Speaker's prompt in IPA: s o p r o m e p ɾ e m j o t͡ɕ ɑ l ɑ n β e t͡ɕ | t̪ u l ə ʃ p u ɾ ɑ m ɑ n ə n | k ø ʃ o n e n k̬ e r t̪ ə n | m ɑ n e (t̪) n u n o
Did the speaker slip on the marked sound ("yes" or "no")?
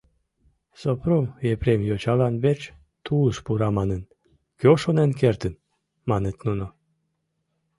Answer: no